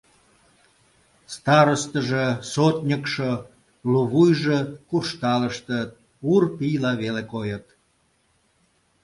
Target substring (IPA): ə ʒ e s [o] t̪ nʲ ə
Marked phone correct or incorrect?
correct